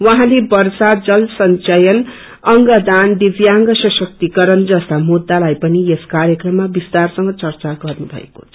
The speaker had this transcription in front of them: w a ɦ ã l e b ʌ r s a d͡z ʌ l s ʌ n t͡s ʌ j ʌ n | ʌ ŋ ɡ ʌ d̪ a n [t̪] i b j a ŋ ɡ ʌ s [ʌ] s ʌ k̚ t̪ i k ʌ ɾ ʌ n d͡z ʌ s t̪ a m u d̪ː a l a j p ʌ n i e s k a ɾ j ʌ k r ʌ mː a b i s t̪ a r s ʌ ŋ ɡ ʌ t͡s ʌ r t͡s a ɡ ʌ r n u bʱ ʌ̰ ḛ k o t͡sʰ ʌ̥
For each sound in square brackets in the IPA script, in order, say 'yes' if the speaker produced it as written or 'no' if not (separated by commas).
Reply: no, yes